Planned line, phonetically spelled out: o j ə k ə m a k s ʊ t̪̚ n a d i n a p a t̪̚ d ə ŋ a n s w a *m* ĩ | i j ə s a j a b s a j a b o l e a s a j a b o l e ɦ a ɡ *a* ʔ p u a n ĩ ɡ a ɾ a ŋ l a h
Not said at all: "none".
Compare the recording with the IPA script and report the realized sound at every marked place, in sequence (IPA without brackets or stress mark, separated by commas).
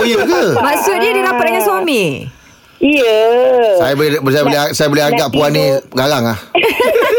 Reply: m, a